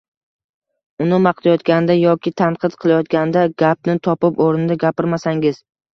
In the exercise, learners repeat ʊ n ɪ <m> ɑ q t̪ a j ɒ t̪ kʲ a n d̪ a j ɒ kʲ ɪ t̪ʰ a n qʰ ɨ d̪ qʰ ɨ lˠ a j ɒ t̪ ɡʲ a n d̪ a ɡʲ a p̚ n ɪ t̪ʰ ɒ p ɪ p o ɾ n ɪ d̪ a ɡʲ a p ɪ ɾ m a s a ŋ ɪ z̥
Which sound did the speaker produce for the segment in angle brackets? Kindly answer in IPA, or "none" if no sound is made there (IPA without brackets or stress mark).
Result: m